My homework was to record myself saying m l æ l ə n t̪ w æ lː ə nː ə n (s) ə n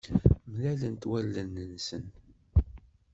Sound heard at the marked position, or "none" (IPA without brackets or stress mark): s